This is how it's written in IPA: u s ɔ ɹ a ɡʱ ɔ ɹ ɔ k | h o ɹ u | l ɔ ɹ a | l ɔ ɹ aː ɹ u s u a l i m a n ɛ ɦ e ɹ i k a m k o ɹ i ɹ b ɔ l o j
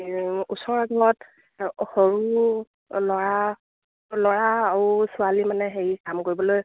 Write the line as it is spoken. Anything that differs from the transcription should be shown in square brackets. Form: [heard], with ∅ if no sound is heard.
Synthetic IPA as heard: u s ɔ ɹ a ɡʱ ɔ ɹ ɔ [t] | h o ɹ u | l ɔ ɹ a | l ɔ ɹ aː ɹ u s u a l i m a n ɛ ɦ e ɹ i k a m k o ɹ i [∅] b ɔ l o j